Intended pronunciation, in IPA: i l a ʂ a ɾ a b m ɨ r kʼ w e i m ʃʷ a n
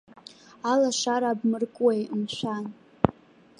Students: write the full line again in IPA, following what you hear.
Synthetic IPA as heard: a l a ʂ a ɾ a b m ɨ r kʼ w e j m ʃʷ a n